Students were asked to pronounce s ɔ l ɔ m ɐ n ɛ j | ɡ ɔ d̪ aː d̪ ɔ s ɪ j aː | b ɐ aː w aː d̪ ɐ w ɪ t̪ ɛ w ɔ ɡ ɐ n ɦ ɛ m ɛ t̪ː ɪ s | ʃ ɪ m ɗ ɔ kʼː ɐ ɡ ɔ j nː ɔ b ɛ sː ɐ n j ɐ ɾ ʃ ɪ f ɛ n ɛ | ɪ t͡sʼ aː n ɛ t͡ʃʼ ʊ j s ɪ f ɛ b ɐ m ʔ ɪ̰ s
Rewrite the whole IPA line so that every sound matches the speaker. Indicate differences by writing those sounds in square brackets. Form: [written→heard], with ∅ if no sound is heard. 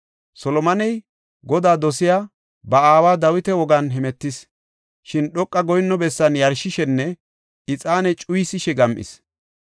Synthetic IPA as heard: s ɔ l ɔ m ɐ n ɛ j | ɡ ɔ d̪ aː d̪ ɔ s ɪ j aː | b ɐ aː w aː d̪ ɐ w ɪ t̪ ɛ w ɔ ɡ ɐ n ɦ ɛ m ɛ t̪ː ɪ s | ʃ ɪ [m→n] ɗ ɔ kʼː ɐ ɡ ɔ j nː ɔ b ɛ sː ɐ n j ɐ ɾ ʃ ɪ [f→ʃ] ɛ [n→nː] ɛ | ɪ t͡sʼ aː n ɛ t͡ʃʼ ʊ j s ɪ [f→ʃ] ɛ [b→ɡ] ɐ m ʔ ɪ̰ s